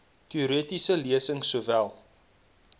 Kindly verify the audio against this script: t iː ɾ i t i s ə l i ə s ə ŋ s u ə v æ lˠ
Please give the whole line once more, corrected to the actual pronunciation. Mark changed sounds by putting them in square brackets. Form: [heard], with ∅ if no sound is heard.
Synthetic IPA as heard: t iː ɾ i t i s ə l i ə s ə ŋ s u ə v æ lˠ